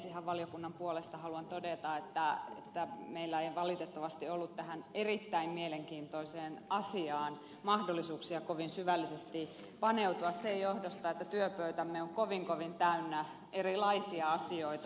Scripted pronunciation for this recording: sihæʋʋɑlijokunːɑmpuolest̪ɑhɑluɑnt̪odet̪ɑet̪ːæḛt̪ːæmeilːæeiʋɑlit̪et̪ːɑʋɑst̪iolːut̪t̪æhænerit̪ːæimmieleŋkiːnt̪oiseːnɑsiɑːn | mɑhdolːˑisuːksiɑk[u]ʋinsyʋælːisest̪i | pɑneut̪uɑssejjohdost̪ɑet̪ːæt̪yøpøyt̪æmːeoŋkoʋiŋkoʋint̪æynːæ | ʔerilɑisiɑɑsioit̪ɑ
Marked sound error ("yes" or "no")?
yes